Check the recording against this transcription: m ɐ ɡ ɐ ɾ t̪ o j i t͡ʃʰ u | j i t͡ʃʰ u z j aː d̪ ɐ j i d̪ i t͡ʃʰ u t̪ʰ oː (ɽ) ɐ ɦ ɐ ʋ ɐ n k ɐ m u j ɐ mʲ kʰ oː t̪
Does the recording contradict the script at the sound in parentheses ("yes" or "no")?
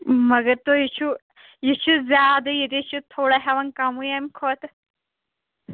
no